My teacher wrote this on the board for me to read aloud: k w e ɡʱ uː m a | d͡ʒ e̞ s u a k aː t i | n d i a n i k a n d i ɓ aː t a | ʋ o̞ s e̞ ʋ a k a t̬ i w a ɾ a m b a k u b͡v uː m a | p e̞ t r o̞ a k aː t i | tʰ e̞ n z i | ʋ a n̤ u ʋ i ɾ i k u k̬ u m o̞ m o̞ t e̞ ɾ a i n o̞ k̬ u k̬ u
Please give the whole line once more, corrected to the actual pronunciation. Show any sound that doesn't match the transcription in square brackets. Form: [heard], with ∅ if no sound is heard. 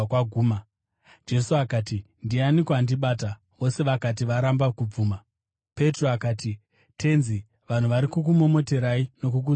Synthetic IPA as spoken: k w [a] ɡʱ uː m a | d͡ʒ e̞ s u a k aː t i | n d i a n i k a n d i ɓ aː t a | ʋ o̞ s e̞ ʋ a k a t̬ i [ʋ] a ɾ a m b a k u b͡v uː m a | p e̞ t r o̞ a k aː t i | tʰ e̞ n z i | ʋ a n̤ u ʋ [a] ɾ i k u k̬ u m o̞ m o̞ t e̞ ɾ a i n o̞ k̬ u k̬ u